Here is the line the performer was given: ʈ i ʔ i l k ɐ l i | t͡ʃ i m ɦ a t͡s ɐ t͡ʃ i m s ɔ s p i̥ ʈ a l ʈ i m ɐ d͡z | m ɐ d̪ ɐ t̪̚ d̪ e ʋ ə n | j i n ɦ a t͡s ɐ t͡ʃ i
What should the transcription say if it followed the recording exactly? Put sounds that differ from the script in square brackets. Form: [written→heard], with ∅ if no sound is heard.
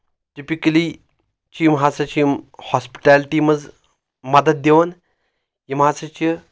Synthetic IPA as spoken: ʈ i [ʔ→p] i [l→∅] k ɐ l i | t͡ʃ i m ɦ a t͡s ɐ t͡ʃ i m [s→h] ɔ s p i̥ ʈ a l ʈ i m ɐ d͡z | m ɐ d̪ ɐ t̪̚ d̪ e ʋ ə n | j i [n→m] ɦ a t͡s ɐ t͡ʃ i

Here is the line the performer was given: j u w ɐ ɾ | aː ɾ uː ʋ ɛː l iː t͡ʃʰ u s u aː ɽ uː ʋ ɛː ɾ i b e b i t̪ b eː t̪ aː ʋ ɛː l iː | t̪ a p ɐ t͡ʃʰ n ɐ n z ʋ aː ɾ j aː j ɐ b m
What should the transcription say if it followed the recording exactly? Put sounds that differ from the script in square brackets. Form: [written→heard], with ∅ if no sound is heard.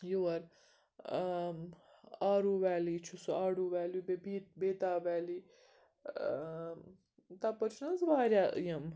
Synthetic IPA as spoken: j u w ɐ ɾ | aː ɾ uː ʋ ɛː l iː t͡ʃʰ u s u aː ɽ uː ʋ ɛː [ɾ→l] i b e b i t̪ b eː t̪ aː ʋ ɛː l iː | t̪ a p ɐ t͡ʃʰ n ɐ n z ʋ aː ɾ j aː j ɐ [b→∅] m

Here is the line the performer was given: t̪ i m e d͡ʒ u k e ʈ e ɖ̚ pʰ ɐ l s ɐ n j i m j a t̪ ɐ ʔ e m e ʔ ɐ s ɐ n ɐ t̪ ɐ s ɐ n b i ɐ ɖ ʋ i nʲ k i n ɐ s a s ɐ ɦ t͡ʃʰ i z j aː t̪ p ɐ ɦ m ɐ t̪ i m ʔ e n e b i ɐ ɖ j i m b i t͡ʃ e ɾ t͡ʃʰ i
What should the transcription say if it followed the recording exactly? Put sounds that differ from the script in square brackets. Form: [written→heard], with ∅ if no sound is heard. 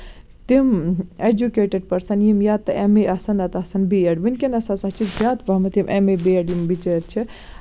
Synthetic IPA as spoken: t̪ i m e d͡ʒ u k e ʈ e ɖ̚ [pʰ→p] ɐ [l→ɾ] s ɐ n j i m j a t̪ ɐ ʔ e m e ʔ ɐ s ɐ n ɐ t̪ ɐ s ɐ n b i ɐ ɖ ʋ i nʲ k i n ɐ s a s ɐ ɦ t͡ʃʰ i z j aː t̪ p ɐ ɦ m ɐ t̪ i m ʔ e [n→m] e b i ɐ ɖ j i m b i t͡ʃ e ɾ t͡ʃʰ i

